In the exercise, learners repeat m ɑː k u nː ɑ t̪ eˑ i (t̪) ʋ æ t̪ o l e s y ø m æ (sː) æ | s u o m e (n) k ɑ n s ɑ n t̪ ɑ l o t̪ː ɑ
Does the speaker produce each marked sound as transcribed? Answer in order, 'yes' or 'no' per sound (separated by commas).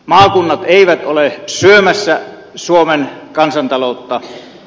no, yes, yes